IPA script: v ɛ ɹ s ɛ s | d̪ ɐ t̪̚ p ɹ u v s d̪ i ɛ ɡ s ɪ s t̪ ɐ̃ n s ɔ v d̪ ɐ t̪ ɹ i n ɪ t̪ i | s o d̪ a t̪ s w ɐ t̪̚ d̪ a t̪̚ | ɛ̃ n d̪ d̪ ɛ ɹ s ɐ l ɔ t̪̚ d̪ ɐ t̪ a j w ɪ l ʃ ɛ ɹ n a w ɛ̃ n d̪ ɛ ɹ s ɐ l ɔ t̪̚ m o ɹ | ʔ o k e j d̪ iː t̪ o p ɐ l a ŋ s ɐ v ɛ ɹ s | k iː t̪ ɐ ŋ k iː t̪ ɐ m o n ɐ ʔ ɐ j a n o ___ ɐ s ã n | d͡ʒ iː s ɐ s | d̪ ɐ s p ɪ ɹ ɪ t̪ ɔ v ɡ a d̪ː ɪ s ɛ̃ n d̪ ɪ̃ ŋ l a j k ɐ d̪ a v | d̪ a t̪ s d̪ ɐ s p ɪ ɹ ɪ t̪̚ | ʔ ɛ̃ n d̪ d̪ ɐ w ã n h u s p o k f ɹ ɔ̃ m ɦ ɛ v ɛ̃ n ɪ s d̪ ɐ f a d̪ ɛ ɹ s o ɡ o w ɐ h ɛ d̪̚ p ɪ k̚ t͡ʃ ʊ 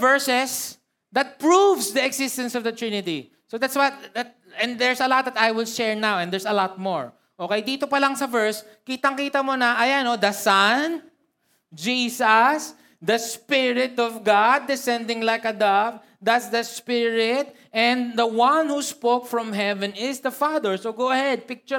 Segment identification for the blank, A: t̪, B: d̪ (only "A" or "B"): B